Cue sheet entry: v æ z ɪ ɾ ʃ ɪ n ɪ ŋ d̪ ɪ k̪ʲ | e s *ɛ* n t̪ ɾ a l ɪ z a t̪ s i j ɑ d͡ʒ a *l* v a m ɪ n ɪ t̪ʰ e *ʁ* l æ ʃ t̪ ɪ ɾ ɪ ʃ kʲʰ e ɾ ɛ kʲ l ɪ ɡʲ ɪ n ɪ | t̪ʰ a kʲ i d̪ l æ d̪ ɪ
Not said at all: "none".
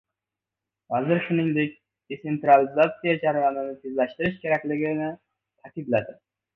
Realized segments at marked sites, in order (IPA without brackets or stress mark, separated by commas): e, ɾ, z